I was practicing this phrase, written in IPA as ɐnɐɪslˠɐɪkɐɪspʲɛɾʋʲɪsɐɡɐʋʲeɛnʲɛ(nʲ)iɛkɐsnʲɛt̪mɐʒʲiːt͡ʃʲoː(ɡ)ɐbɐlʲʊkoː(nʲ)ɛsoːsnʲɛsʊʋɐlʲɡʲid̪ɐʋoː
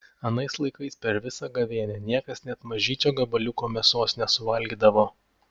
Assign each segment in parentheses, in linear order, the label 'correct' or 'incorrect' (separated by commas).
correct, correct, incorrect